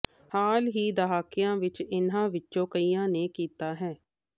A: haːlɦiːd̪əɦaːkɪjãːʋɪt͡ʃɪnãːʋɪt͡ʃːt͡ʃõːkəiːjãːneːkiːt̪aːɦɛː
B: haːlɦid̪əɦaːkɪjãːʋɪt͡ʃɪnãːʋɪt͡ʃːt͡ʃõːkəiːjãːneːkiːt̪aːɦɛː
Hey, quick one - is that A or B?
A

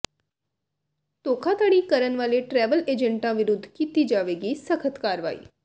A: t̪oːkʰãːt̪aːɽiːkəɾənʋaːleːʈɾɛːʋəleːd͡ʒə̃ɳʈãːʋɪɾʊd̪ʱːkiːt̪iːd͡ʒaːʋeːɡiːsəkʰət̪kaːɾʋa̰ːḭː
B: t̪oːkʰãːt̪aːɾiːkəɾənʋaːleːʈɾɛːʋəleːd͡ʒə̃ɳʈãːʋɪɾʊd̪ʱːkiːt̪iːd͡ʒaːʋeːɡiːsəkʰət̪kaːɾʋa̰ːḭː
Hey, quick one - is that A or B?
A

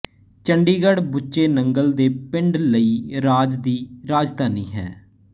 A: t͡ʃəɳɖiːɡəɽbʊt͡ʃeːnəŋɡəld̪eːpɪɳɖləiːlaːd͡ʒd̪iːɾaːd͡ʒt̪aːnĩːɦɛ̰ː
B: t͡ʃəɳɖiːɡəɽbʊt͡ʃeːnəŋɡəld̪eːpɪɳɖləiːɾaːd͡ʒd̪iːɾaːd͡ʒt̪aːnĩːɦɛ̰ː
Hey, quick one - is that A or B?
B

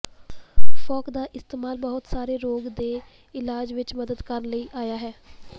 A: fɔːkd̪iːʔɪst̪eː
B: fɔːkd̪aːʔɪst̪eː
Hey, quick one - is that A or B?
B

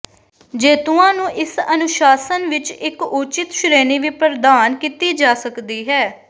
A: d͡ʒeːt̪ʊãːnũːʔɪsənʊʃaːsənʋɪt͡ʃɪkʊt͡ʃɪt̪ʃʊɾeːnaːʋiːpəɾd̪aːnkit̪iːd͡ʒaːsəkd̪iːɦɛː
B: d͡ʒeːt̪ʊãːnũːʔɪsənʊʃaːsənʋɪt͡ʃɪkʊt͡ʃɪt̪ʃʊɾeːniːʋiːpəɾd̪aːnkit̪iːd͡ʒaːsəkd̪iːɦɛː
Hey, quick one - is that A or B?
B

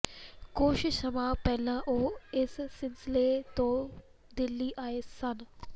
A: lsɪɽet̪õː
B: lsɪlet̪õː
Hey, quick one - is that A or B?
B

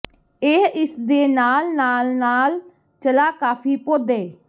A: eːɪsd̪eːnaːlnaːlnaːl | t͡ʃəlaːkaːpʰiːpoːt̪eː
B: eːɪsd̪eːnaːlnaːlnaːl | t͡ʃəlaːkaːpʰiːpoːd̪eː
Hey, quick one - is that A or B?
B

